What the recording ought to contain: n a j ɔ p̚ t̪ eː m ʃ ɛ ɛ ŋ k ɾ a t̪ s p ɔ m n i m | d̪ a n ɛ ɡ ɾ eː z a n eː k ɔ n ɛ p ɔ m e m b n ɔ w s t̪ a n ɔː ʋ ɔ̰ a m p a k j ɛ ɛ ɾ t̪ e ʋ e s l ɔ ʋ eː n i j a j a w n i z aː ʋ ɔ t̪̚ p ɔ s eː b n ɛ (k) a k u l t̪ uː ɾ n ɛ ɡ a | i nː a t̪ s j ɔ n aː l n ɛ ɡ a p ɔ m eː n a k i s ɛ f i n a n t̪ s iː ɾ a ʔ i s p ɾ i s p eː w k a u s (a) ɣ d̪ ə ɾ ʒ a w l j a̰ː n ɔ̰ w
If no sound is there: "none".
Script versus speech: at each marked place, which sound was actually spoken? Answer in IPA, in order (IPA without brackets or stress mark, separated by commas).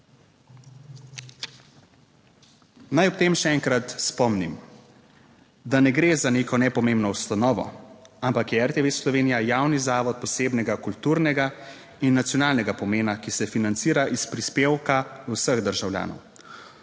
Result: ɡ, ə